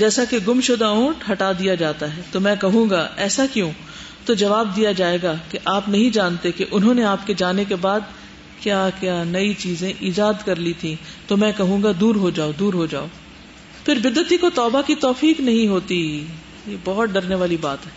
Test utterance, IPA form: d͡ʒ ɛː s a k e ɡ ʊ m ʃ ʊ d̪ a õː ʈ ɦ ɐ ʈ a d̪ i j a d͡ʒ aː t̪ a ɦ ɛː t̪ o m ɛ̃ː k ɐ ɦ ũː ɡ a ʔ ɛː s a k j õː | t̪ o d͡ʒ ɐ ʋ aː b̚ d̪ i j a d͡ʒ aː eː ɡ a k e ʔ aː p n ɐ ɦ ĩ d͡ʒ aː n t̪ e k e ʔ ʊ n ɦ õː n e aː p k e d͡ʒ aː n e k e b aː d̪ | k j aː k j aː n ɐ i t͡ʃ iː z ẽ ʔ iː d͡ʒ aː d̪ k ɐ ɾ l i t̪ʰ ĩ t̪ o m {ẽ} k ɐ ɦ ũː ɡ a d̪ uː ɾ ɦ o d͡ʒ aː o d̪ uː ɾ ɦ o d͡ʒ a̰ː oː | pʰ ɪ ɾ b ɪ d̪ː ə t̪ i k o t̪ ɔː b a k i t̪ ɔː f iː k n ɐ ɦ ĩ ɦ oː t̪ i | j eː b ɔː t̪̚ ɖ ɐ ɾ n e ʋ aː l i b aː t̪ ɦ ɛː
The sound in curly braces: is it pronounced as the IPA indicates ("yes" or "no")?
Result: no